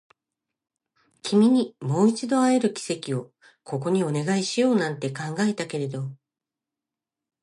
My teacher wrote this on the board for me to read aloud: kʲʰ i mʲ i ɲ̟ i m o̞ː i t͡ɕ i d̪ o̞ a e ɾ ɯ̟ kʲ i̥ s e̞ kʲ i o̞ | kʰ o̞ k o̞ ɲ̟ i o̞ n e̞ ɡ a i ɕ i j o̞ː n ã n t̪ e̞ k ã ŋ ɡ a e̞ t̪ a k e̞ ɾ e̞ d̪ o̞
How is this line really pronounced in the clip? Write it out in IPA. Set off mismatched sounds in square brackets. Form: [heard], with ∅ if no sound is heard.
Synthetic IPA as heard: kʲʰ i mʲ i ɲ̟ i m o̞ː i t͡ɕ i d̪ o̞ a e ɾ ɯ̟ kʲ i̥ s e̞ kʲ i o̞ | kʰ o̞ k o̞ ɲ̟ i o̞ n e̞ ɡ a i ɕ i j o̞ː n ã n t̪ e̞ k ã ŋ ɡ a e̞ t̪ a k e̞ ɾ e̞ d̪ o̞

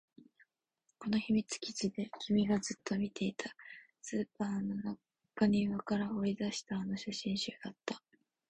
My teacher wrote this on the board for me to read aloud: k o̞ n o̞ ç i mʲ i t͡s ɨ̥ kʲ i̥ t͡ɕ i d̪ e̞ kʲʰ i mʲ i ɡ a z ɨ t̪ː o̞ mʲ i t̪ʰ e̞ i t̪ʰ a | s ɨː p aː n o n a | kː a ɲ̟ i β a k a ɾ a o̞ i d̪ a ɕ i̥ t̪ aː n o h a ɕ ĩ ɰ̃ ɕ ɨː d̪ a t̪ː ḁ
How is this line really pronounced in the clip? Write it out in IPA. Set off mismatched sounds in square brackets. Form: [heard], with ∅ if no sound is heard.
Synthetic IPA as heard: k o̞ n o̞ ç i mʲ i t͡s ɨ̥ kʲ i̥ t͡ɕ i d̪ e̞ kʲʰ i mʲ i ɡ a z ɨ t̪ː o̞ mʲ i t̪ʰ e̞ i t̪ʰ a | s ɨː p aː n o n a | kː a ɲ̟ i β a k a ɾ a o̞ i d̪ a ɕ i̥ t̪ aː n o [ɕ] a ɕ ĩ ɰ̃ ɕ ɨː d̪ a t̪ː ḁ

